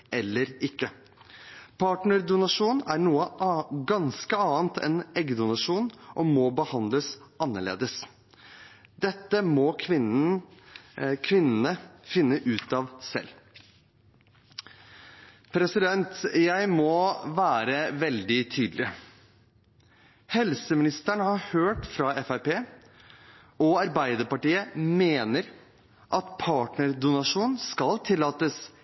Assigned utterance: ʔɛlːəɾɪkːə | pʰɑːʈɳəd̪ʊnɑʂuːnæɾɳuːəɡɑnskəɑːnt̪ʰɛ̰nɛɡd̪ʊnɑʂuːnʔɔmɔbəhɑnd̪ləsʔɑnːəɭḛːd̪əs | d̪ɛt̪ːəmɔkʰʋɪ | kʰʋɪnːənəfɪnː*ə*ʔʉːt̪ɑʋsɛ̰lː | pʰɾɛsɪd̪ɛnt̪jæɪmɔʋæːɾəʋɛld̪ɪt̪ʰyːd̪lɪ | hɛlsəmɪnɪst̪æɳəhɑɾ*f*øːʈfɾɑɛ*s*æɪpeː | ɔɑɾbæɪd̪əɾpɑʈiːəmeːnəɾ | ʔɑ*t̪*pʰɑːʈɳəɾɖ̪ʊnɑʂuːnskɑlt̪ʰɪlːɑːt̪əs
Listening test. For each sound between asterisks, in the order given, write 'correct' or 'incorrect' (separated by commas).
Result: correct, incorrect, incorrect, correct